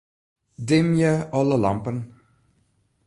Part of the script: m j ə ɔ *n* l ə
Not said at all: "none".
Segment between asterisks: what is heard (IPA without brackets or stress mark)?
none